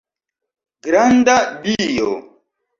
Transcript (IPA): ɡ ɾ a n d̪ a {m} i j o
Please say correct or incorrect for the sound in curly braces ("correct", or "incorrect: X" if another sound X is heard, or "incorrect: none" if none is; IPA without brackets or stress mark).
incorrect: b